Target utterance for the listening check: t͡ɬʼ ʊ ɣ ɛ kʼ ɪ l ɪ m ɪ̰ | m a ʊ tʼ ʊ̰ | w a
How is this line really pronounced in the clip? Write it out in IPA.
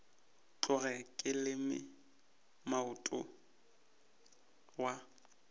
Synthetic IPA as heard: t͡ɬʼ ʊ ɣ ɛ kʼ ɪ l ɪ m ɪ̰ | m a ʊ tʼ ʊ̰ | w a

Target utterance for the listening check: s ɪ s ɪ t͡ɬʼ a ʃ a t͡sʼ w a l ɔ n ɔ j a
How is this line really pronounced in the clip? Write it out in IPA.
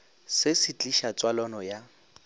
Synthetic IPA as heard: s ɪ s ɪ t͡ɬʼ i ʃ a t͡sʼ w a l ɔ n ɔ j a

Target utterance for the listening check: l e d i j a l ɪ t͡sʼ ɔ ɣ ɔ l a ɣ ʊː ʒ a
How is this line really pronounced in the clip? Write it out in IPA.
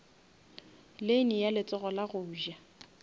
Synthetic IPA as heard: l e n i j a l ɪ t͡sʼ ɔ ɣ ɔ l a ɣ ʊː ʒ a

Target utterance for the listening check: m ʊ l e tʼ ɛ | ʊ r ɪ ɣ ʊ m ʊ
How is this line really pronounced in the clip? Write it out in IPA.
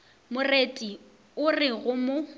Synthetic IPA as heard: m ʊ r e tʼ i | ʊ r ɪ ɣ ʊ m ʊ

